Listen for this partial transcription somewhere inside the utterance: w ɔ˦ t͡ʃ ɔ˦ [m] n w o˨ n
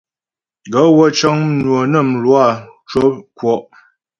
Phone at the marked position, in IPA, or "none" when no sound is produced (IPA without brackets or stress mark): ŋ